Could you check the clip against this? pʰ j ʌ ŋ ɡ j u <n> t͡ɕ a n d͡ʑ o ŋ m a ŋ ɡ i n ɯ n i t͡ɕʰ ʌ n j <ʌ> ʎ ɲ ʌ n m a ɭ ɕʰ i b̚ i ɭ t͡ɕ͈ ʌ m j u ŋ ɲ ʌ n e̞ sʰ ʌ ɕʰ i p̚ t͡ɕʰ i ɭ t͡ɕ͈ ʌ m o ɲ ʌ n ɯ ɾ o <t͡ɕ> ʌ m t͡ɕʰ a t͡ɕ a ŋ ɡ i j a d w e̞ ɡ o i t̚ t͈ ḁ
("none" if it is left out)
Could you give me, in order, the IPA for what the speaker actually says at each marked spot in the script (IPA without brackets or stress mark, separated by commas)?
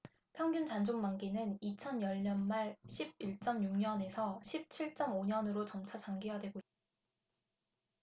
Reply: n, ʌ, t͡ɕ